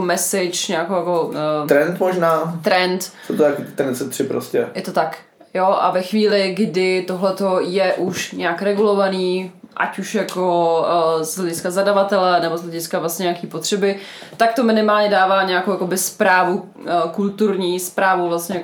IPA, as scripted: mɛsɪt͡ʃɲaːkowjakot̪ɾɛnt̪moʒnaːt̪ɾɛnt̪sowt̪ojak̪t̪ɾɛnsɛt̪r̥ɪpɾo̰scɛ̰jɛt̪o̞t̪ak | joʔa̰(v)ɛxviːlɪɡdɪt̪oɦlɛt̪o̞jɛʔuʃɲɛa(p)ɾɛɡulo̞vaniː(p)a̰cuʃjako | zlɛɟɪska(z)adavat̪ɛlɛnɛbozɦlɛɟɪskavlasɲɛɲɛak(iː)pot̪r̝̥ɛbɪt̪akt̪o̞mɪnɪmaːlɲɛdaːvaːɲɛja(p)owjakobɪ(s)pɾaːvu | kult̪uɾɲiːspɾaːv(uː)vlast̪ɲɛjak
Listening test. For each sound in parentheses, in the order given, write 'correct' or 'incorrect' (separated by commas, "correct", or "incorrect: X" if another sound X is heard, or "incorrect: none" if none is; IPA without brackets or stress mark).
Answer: correct, incorrect: k, incorrect: ʔ, correct, correct, incorrect: k, correct, incorrect: u